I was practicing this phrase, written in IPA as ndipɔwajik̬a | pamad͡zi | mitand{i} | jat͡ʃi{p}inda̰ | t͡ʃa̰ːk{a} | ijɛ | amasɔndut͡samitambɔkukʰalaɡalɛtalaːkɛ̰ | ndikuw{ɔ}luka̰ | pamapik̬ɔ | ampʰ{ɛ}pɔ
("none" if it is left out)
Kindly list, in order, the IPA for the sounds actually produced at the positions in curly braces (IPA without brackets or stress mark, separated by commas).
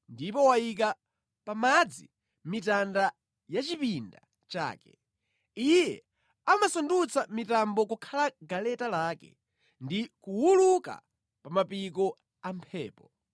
a, p, ɛ, u, ɛː